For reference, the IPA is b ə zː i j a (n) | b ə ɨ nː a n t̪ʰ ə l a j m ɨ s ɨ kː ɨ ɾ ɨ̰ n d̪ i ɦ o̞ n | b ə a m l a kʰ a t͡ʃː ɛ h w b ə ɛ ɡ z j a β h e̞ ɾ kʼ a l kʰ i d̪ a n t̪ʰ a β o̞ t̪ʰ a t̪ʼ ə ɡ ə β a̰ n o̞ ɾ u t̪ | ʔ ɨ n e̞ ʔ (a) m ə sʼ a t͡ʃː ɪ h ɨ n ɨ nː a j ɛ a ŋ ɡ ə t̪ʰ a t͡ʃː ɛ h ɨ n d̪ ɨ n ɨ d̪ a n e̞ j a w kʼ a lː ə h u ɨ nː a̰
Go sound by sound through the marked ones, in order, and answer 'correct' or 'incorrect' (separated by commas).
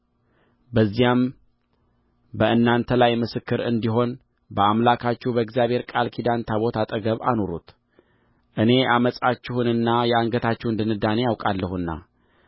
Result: incorrect, correct